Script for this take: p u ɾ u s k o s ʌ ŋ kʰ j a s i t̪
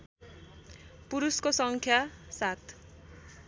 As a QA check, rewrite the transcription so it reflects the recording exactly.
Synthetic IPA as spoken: p u ɾ u s k o s ʌ ŋ kʰ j a s a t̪